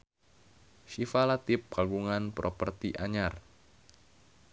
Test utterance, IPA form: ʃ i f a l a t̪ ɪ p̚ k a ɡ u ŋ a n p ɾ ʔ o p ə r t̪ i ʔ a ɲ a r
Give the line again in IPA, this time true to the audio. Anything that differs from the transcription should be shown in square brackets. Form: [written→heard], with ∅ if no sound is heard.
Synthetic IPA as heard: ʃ i f a l a t̪ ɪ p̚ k a ɡ u ŋ a n p ɾ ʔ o p ə r t̪ i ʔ a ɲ a r